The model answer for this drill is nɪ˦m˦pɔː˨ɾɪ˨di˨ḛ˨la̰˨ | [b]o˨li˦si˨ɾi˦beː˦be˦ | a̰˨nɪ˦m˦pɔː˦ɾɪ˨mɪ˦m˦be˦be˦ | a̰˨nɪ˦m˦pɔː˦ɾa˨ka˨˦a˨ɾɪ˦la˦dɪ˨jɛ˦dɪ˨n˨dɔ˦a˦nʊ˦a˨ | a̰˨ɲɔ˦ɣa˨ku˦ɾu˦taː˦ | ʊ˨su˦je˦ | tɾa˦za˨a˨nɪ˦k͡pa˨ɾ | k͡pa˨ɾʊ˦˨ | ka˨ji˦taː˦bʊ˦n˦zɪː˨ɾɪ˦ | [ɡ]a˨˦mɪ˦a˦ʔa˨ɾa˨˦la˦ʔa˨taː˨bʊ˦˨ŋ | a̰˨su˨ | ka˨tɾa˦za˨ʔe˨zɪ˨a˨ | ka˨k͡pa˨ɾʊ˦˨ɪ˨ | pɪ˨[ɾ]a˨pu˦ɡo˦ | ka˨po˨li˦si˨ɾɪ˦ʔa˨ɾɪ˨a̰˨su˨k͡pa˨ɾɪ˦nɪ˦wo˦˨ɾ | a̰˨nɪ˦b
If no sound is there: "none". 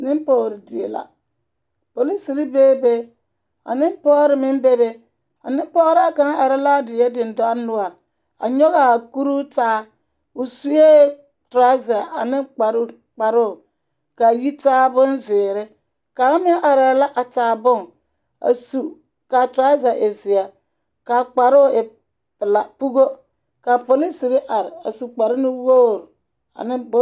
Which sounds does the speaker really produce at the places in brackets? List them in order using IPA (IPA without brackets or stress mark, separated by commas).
p, k, l